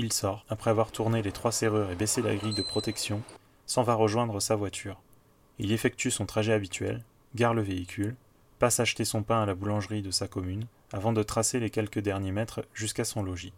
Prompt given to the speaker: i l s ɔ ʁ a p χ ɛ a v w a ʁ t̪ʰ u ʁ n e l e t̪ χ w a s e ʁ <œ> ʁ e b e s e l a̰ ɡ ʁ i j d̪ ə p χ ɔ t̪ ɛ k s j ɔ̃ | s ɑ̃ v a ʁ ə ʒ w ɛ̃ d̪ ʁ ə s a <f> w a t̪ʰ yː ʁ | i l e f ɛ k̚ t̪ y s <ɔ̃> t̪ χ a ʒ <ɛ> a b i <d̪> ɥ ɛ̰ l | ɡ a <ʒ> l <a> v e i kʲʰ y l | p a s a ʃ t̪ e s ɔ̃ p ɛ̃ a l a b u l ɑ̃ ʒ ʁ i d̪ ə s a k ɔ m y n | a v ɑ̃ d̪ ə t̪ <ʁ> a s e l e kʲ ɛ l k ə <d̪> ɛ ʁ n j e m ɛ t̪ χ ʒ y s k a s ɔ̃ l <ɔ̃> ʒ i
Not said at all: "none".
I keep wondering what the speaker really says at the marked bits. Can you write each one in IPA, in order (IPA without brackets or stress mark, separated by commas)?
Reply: y, v, ɔ̃, ɛ, t̪, ʁ, ə, χ, d̪, ɔ